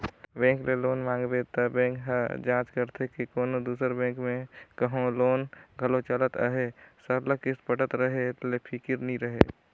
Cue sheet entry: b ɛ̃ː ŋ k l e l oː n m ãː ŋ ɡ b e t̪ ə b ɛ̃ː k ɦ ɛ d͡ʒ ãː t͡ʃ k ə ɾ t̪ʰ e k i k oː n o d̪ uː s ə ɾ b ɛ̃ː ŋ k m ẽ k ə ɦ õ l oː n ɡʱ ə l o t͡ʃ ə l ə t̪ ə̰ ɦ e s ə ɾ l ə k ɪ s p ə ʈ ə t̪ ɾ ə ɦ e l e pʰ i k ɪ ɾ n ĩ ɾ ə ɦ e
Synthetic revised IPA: b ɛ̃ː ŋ k l e l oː n m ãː ŋ ɡ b e t̪ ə b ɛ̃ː k ɦ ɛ d͡ʒ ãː t͡ʃ k ə ɾ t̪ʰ e k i k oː n o d̪ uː s ə ɾ b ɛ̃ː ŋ k m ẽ k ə ɦ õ l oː n ɡʱ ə l o t͡ʃ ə l ə t̪ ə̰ ɦ e s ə ɾ l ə k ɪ s p ə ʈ ə t̪ ɾ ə ɦ e l e pʰ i k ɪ ɾ n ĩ ɾ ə ɦ e